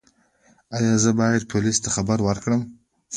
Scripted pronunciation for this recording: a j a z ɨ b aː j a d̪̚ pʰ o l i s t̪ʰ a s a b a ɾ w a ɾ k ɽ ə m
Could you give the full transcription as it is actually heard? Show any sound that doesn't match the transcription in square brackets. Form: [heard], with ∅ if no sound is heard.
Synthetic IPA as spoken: a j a z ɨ b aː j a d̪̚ pʰ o l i s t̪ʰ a [χ] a b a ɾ w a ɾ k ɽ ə m